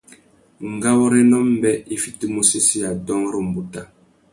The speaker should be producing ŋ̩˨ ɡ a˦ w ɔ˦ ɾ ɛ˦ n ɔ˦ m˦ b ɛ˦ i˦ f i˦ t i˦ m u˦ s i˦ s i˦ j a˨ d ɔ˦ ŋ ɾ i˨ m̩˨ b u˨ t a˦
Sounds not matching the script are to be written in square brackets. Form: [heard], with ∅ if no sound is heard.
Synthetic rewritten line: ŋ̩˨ ɡ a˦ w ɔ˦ ɾ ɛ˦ n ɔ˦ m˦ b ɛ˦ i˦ f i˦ t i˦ m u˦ s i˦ s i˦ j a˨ d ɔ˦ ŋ ɾ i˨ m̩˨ b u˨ t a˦